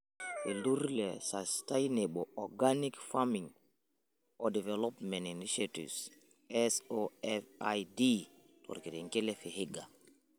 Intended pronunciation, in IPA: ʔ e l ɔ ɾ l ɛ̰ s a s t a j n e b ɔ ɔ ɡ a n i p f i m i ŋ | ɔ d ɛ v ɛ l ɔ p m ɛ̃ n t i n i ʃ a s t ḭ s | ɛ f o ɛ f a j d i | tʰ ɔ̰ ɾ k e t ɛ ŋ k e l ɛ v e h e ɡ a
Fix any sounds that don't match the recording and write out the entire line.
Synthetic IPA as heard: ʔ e l u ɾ l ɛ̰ s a s t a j n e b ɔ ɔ ɡ a n i k f a m i ŋ | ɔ d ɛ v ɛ l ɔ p m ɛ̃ n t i n i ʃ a t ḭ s | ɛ s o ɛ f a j d i | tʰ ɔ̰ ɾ k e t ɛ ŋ k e l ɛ f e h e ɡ a